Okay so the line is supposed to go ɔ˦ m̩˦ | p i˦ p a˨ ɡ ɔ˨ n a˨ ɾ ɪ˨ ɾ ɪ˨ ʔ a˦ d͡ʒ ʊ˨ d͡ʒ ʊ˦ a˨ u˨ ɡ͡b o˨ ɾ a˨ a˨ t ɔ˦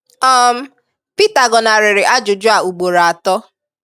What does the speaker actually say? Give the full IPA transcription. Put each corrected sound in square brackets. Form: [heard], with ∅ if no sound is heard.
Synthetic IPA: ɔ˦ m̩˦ | p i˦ [t] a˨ ɡ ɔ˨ n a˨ ɾ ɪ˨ ɾ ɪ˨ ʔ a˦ d͡ʒ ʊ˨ d͡ʒ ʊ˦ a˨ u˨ ɡ͡b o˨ ɾ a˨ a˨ t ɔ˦